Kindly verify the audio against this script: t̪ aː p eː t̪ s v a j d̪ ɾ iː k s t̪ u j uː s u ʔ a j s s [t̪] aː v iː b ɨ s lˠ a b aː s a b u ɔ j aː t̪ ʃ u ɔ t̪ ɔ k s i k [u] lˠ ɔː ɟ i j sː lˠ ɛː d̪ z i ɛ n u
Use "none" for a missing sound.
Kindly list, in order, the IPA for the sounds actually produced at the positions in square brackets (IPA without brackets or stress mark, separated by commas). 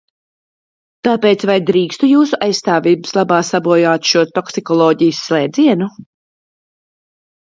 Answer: t̪, ɔ